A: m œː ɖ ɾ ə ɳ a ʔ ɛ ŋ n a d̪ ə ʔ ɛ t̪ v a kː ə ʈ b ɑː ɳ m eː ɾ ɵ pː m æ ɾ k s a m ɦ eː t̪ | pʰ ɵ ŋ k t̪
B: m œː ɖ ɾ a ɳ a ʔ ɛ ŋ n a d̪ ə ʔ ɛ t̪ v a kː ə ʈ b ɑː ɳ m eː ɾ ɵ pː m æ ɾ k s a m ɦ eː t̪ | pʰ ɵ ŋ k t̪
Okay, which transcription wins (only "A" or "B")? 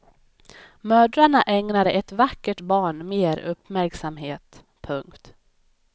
B